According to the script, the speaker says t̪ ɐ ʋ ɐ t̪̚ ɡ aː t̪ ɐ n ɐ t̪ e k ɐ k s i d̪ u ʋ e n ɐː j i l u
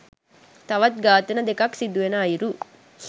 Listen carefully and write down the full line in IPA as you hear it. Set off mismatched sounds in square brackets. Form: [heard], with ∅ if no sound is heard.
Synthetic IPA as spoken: t̪ ɐ ʋ ɐ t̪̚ ɡ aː t̪ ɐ n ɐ [d̪] e k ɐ k s i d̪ u ʋ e n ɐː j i [ɾ] u